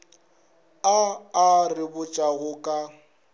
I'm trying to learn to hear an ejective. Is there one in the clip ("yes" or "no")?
yes